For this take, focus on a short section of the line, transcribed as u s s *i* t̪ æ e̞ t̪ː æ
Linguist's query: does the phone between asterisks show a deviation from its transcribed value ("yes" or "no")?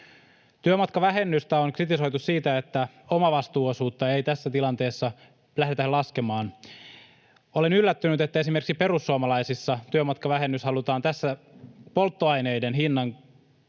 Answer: yes